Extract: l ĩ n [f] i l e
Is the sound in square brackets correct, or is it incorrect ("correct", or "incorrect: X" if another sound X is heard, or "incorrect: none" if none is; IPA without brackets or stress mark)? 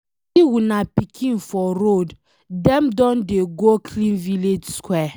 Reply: incorrect: v